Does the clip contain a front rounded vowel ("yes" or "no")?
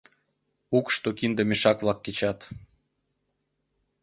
no